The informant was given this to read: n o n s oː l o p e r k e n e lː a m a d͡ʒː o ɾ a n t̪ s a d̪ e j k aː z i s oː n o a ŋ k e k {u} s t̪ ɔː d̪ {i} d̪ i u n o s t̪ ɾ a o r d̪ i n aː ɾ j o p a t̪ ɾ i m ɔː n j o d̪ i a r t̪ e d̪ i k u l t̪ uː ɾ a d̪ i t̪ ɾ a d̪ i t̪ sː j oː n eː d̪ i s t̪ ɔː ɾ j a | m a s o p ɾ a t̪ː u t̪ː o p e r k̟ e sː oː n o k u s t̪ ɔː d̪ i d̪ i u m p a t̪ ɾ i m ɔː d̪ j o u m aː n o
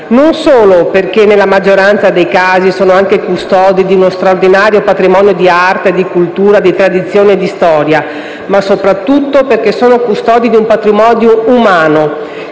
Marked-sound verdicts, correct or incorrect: correct, correct

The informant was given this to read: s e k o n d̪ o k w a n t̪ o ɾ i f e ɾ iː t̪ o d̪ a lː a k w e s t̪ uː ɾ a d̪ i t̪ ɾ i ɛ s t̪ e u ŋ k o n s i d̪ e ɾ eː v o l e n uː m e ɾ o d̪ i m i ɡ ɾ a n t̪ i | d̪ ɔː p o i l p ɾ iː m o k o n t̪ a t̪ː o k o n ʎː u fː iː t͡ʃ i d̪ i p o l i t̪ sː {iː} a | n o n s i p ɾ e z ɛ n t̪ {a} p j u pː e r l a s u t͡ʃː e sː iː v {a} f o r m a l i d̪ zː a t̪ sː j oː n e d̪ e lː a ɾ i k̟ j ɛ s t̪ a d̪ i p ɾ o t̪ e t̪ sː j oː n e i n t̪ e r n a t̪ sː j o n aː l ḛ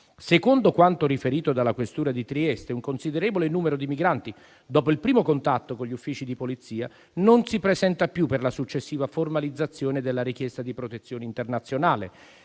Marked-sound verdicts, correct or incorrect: correct, correct, correct

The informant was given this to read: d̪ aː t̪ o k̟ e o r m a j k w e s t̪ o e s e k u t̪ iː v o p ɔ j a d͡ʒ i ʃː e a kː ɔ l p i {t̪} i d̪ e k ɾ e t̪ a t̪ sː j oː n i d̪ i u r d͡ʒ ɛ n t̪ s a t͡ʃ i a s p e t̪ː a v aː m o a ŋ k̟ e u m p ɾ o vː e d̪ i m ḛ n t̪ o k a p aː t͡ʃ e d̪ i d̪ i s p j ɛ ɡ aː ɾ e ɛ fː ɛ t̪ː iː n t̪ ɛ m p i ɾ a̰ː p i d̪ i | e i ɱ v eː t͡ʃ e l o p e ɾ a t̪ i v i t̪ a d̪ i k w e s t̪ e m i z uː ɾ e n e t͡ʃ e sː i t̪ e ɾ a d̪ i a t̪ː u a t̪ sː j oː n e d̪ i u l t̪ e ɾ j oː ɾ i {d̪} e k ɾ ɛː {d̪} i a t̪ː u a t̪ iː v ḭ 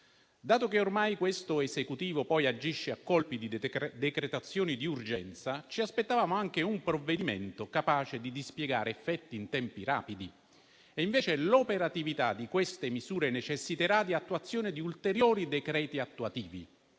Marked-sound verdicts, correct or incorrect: incorrect, correct, incorrect

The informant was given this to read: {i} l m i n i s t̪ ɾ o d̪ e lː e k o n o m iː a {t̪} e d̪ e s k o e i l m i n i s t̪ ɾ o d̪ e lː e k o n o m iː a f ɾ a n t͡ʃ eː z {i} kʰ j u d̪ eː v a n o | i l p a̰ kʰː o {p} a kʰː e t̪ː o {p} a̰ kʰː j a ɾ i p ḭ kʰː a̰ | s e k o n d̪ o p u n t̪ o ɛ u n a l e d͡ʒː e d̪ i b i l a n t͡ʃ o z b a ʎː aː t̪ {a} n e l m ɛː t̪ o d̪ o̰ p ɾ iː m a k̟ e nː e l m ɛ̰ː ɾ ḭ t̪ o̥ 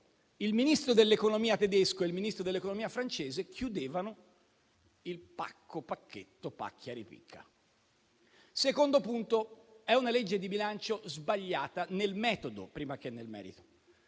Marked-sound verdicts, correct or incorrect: correct, correct, incorrect, correct, correct, correct

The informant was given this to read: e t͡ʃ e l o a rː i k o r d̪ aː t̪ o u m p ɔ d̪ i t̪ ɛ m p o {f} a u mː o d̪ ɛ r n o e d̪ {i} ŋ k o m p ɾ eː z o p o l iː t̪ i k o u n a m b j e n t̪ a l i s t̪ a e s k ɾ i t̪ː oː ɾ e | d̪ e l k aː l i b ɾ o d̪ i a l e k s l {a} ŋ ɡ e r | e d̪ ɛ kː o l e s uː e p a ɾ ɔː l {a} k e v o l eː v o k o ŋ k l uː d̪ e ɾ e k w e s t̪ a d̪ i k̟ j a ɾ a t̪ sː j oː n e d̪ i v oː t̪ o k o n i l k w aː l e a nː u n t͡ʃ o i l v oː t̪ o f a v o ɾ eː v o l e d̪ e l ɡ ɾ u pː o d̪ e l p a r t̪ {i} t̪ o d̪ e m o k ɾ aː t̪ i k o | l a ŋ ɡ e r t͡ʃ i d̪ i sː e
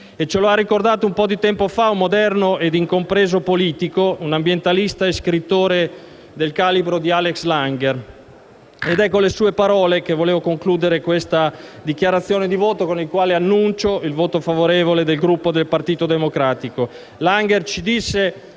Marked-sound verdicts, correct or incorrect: correct, correct, correct, incorrect, incorrect

